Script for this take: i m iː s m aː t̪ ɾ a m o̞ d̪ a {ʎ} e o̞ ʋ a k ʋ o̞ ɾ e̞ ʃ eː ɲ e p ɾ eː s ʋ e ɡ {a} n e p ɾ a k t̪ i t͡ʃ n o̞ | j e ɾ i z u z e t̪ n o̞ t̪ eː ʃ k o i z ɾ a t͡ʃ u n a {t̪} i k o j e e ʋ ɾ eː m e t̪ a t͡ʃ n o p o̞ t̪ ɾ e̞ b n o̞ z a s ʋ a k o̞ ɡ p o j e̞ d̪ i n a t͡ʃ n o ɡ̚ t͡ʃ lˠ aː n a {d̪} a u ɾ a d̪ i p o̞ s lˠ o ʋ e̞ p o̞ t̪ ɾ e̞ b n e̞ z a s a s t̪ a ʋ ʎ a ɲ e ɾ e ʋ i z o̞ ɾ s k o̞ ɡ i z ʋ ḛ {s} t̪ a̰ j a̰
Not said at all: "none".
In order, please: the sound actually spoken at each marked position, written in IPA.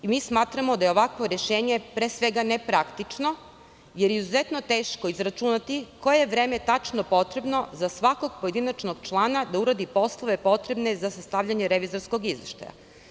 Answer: j, a, t̪, d̪, ʃ

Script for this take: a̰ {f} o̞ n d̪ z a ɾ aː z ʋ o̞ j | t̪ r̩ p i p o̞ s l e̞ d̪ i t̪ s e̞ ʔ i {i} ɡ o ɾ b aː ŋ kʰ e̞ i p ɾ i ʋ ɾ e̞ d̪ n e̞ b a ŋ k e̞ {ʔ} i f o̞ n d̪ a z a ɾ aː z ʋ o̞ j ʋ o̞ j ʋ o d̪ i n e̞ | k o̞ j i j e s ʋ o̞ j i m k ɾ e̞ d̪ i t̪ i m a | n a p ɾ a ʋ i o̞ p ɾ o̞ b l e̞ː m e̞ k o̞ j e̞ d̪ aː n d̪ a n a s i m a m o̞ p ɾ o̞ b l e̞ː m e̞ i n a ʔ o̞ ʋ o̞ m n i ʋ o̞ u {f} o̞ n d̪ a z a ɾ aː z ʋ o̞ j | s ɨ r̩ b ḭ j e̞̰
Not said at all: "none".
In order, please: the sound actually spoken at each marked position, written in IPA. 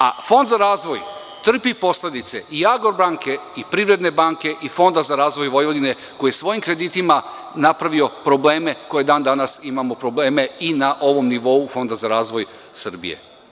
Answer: f, a, ʔ, f

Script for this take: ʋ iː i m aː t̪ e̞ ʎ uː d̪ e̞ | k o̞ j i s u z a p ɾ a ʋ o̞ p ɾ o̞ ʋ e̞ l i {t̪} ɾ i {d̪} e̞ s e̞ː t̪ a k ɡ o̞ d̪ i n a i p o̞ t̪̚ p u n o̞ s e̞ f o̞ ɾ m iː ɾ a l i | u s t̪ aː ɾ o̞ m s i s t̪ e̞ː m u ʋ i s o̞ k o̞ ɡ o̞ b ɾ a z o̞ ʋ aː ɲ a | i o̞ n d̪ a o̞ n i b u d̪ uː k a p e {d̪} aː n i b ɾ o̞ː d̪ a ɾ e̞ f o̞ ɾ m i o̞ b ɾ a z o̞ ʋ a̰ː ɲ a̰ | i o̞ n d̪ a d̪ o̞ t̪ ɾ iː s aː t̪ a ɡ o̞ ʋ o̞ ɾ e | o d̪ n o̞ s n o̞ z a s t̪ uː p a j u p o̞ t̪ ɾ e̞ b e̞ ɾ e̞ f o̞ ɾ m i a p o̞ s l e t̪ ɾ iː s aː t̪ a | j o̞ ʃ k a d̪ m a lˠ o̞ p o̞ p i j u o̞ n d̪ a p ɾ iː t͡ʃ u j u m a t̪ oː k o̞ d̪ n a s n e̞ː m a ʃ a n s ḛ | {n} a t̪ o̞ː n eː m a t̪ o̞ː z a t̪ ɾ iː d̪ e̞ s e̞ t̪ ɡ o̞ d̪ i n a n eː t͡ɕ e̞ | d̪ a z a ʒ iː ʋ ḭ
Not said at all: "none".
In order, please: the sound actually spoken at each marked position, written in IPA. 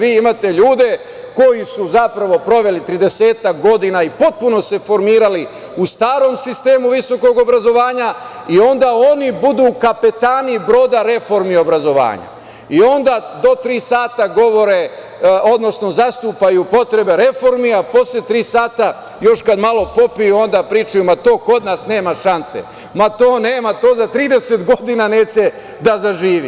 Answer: t̪, d̪, t̪, m

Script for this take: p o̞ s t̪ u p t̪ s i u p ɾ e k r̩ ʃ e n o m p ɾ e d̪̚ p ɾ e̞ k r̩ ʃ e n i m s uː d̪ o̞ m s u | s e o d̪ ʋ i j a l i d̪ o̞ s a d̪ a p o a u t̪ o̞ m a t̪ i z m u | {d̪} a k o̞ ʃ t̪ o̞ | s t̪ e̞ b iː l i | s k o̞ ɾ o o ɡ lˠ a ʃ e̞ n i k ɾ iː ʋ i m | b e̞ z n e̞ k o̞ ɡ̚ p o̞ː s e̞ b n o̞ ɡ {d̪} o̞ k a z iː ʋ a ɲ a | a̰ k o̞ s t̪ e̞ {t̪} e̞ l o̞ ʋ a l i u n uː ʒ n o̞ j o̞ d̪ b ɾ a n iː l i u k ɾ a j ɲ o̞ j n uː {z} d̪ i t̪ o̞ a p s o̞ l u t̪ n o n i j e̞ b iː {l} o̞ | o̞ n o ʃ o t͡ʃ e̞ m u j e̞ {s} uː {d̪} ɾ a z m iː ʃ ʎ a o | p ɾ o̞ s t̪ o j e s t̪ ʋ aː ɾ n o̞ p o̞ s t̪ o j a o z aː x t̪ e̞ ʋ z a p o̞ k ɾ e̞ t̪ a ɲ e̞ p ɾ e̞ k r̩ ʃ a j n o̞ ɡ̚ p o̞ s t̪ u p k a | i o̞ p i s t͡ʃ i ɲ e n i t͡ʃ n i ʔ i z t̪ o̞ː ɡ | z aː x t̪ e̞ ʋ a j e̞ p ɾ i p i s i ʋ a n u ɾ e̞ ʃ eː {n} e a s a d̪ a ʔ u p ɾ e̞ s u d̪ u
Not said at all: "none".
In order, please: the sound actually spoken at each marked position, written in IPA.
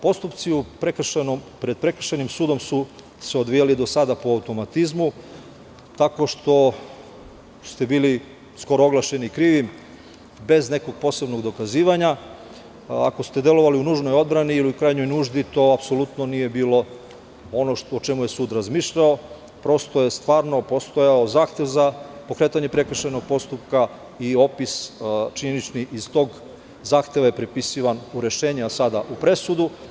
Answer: t̪, d̪, d̪, ʒ, l, s, d̪, ɲ

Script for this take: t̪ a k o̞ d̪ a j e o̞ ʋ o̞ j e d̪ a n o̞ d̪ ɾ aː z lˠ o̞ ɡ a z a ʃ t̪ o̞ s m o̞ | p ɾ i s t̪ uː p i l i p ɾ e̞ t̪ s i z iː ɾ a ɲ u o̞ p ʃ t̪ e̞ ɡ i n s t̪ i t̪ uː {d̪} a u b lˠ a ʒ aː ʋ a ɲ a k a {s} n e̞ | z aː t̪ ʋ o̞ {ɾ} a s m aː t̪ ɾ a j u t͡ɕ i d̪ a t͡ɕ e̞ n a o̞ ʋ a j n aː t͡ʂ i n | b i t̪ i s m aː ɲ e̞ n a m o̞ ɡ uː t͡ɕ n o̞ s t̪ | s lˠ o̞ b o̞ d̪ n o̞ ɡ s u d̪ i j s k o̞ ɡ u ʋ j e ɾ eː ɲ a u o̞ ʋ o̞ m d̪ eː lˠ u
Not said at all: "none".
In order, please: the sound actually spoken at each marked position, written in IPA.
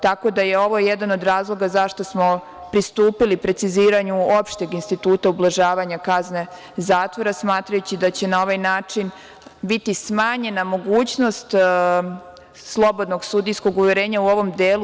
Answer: t̪, z, ɾ

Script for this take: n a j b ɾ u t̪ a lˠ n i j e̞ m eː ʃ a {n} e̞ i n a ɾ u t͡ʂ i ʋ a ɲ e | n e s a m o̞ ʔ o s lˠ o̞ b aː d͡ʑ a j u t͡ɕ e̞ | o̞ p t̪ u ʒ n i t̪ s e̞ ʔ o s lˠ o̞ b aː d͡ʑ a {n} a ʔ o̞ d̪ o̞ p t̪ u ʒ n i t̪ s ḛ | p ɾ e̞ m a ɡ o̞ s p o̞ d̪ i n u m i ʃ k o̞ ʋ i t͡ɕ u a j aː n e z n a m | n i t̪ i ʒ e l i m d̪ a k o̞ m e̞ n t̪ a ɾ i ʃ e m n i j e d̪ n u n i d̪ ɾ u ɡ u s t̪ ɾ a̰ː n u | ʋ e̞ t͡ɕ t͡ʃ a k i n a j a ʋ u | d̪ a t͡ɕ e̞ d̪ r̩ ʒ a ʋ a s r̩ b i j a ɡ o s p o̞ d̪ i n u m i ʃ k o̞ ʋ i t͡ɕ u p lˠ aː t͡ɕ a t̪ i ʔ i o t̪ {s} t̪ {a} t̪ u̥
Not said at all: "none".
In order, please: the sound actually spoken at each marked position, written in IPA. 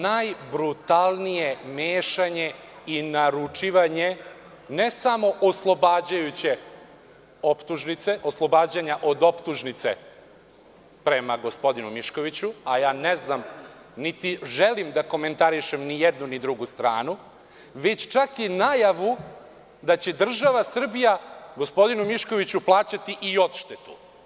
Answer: ɲ, ɲ, ʃ, e

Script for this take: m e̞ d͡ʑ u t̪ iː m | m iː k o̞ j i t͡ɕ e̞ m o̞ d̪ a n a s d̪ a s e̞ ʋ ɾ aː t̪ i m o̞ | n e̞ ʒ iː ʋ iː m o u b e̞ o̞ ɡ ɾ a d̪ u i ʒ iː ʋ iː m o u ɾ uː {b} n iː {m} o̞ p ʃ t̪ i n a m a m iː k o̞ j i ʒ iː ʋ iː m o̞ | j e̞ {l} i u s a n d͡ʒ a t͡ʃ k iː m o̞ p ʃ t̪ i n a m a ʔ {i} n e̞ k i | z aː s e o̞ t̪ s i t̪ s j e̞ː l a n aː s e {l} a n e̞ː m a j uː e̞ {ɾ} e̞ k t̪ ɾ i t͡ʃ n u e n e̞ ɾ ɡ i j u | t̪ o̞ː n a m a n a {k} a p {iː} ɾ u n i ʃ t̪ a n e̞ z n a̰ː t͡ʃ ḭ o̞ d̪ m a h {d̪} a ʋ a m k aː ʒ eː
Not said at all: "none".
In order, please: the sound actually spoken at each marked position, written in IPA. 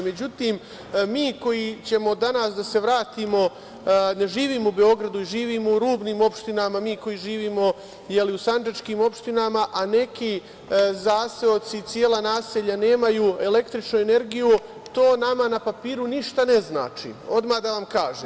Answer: b, m, l, a, ʎ, l, p, iː, d̪

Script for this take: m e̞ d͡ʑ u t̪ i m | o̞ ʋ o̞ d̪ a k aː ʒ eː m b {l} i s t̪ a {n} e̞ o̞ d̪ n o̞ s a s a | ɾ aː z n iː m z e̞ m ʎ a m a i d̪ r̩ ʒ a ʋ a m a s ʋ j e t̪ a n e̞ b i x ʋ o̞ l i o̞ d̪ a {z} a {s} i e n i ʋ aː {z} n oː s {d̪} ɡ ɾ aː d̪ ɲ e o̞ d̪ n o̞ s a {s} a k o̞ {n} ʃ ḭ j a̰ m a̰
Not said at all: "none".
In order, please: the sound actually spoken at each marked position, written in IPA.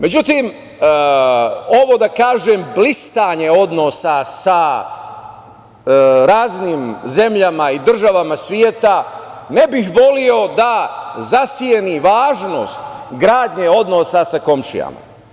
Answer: l, ɲ, z, s, ʒ, t̪, s, m

